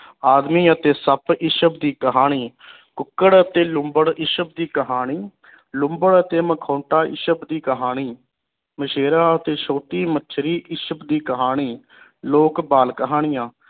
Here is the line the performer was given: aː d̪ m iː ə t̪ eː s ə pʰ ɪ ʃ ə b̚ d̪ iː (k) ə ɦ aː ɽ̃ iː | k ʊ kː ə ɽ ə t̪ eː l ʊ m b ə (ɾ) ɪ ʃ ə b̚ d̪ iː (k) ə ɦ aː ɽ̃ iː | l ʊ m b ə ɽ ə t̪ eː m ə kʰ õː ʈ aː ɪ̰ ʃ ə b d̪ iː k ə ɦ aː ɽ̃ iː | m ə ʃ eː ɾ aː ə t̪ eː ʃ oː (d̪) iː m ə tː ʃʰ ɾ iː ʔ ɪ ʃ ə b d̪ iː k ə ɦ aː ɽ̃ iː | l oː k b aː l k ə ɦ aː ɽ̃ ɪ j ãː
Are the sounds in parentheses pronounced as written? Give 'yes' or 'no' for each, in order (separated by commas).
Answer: yes, no, yes, no